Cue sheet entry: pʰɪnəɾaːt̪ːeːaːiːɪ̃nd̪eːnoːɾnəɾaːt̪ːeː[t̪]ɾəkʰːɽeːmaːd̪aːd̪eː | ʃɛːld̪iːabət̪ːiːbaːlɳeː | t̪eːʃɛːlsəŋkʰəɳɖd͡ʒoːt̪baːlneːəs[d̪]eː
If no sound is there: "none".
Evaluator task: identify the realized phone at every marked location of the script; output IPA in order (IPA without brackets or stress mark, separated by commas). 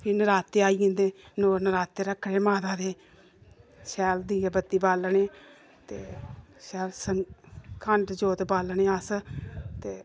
none, t̪